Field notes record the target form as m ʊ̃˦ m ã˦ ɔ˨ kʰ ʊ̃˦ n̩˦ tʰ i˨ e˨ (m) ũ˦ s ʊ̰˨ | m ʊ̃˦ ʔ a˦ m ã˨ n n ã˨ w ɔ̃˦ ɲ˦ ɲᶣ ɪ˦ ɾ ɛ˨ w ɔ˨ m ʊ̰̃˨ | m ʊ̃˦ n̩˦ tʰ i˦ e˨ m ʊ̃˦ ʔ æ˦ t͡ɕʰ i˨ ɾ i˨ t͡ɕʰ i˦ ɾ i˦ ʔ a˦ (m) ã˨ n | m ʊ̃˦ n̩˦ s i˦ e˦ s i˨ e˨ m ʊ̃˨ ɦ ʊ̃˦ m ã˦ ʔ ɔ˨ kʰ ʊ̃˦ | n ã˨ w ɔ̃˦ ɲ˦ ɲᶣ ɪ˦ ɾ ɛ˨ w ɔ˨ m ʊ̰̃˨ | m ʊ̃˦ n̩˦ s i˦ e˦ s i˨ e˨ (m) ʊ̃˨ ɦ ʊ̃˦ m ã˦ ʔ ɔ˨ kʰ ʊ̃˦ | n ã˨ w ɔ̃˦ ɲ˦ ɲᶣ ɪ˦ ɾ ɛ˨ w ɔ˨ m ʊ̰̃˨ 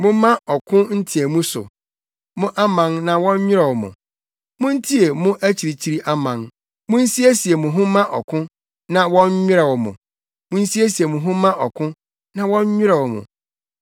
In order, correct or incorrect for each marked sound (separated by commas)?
correct, correct, correct